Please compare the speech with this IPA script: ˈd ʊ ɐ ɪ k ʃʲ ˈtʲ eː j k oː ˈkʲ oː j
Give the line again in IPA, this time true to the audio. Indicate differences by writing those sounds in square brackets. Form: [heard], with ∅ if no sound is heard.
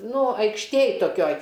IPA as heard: [ˈn] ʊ ɐ ɪ k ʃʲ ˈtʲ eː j [t] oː ˈkʲ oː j